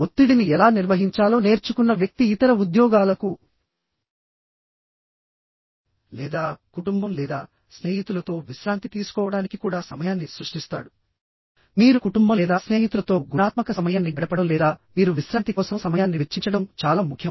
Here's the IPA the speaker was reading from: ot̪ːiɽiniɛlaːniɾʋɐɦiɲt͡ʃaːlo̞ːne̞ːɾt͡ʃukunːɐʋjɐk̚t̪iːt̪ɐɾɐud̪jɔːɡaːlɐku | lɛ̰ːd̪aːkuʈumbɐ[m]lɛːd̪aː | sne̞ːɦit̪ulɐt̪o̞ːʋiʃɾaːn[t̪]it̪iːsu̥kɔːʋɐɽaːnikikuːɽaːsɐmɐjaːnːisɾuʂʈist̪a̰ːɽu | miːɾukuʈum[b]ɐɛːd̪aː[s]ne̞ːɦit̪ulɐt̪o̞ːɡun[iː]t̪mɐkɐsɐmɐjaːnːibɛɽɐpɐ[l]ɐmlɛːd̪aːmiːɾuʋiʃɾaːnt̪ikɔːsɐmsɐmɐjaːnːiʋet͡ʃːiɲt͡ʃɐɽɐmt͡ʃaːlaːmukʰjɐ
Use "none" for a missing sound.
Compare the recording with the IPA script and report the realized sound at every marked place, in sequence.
m, t̪, b, s, aː, ɽ

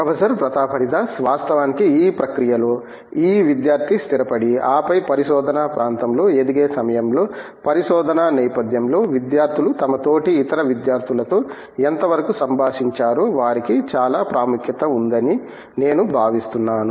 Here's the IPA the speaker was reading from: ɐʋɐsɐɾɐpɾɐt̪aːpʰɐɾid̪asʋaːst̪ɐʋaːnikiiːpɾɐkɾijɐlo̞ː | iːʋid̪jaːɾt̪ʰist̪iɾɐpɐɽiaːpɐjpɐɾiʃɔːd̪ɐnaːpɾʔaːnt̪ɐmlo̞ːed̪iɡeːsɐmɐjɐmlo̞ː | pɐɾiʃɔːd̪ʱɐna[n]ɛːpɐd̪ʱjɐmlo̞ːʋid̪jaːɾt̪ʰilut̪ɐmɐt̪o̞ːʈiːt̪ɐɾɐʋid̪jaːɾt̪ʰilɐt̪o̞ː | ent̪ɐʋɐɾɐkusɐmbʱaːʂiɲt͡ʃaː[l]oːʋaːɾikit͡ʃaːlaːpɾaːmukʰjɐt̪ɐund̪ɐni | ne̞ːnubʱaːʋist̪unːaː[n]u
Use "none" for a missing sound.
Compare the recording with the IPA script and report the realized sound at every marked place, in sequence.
n, ɾ, n

